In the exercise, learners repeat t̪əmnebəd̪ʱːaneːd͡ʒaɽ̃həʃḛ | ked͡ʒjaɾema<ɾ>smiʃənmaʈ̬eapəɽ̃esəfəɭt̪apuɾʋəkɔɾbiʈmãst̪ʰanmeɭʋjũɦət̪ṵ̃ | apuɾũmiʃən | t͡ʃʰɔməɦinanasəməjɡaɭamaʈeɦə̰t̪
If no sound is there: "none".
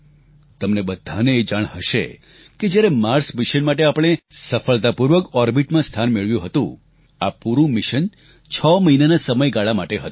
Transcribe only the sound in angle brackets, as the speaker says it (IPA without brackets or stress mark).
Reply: ɾ